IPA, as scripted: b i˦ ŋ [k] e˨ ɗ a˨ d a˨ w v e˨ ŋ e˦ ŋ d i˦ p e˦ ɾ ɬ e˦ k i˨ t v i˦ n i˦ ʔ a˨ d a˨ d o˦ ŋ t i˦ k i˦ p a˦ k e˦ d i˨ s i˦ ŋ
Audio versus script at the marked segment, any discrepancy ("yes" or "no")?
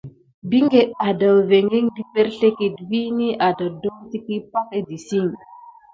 yes